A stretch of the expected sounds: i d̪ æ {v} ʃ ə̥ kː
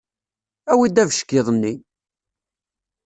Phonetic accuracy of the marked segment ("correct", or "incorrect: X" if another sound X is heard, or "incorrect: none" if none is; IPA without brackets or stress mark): correct